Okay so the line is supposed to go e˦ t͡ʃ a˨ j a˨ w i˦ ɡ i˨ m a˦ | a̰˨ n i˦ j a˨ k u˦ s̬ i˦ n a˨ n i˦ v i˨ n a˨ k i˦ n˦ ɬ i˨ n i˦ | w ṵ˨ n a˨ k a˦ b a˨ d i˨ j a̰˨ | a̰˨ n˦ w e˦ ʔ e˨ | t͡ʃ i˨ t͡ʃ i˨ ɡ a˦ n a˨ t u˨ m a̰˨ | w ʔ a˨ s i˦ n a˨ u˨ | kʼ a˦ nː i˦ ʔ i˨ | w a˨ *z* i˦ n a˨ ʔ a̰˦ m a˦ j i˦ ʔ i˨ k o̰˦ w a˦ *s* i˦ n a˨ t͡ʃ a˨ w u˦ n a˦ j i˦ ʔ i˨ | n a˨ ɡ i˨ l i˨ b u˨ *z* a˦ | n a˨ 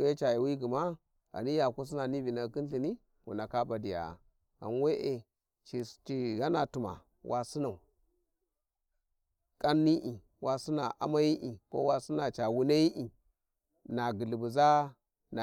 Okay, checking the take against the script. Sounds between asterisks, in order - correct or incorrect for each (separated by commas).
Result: incorrect, correct, correct